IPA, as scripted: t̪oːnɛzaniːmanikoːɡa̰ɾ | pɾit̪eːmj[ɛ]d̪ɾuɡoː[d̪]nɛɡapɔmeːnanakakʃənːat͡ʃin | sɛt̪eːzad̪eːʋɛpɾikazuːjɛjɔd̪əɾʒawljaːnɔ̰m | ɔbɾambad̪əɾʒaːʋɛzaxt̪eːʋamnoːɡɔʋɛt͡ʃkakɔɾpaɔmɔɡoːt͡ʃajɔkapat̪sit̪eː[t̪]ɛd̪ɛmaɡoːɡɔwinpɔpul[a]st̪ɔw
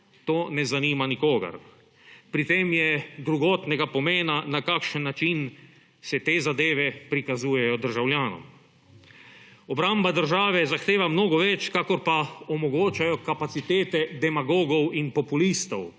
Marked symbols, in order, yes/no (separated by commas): yes, no, yes, no